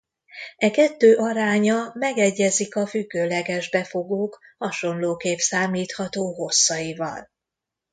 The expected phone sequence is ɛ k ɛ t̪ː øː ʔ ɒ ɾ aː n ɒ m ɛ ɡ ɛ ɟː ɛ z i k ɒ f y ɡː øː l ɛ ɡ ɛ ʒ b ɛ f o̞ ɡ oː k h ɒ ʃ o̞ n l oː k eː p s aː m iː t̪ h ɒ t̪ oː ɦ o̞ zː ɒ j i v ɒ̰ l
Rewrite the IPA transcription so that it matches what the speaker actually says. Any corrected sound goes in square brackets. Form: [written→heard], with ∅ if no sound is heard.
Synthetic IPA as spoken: ɛ k ɛ t̪ː øː ʔ ɒ ɾ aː [n→ɲ] ɒ m ɛ ɡ ɛ ɟː ɛ z i k ɒ f y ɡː øː l ɛ ɡ ɛ ʒ b ɛ f o̞ ɡ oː k h ɒ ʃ o̞ n l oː k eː p s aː m iː t̪ h ɒ t̪ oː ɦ o̞ [zː→sː] ɒ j i v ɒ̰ l